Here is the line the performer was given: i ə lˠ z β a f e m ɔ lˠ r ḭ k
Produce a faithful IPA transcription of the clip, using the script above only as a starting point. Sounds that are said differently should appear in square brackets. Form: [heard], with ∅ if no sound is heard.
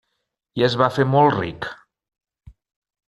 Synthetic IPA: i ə [∅] z β a f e m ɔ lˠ r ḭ k